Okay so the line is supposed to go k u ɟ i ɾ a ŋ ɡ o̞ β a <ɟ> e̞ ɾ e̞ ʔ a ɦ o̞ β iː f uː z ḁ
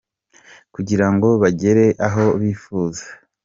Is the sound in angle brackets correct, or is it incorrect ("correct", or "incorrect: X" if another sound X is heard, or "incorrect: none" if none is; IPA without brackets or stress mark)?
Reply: correct